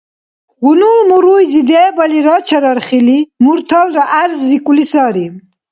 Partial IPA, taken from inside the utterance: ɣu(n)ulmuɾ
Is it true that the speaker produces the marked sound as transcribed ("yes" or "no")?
yes